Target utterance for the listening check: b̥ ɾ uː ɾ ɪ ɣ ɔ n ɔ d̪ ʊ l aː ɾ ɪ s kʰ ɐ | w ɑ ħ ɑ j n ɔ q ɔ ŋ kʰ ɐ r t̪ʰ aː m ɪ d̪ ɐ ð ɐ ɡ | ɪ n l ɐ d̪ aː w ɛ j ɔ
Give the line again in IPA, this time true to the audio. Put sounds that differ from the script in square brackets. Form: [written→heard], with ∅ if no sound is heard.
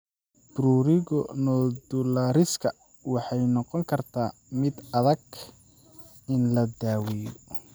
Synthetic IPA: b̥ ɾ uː ɾ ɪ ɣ ɔ n ɔ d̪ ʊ l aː ɾ ɪ s kʰ ɐ | w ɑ ħ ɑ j n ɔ q ɔ ŋ kʰ ɐ r t̪ʰ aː m ɪ d̪ ɐ ð ɐ ɡ | ɪ n l ɐ d̪ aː w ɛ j ɔ

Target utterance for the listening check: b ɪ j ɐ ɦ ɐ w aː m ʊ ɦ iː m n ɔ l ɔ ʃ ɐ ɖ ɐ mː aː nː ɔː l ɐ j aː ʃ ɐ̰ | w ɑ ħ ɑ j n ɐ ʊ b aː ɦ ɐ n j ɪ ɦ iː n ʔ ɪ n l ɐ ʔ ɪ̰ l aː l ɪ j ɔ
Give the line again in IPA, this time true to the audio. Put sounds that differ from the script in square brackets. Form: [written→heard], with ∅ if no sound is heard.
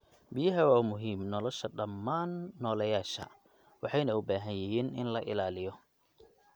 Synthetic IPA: b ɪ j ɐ ɦ ɐ w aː m ʊ ɦ iː m n ɔ l ɔ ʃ ɐ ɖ ɐ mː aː nː ɔː l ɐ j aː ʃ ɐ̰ | w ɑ ħ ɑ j n ɐ ʊ b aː ɦ ɐ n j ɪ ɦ iː n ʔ ɪ n l ɐ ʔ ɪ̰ l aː l ɪ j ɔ

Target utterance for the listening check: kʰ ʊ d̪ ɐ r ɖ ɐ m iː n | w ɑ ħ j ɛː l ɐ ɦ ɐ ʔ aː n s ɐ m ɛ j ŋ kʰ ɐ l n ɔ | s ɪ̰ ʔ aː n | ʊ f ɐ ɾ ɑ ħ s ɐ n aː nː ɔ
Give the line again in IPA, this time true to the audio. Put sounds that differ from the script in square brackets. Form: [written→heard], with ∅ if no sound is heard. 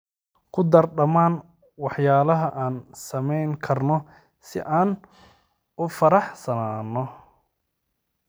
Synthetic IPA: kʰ ʊ d̪ ɐ r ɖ ɐ m [iː→aː] n | w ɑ ħ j [ɛː→aː] l ɐ ɦ ɐ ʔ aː n s ɐ m ɛ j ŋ kʰ ɐ [l→r] n ɔ | s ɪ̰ ʔ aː n | ʊ f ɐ ɾ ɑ ħ s ɐ n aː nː ɔ

